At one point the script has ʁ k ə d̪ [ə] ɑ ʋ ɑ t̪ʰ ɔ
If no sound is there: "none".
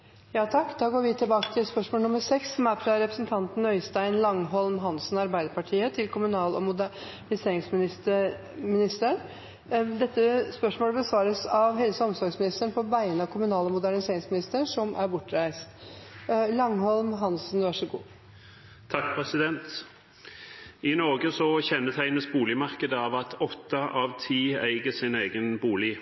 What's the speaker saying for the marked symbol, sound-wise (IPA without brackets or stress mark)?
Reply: ə